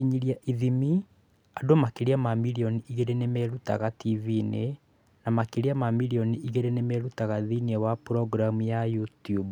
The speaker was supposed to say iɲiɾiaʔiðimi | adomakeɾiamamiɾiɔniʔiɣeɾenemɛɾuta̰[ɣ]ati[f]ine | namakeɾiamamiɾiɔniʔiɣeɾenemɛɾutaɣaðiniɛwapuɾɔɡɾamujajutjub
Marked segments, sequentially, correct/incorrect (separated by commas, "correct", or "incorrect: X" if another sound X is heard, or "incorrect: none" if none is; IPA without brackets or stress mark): correct, incorrect: v